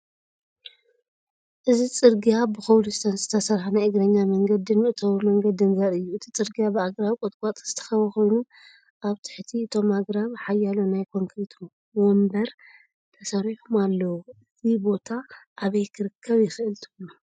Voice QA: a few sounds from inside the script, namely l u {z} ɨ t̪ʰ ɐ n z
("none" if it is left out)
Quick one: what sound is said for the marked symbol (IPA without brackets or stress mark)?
s